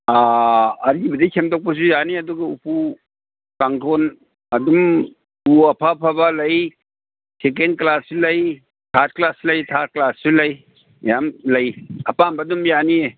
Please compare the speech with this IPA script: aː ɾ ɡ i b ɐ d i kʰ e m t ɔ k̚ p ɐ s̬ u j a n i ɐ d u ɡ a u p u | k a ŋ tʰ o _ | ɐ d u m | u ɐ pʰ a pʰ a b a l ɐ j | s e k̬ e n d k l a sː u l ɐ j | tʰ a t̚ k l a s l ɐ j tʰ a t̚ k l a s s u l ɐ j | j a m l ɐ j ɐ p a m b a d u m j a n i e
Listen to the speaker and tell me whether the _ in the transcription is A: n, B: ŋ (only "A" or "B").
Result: A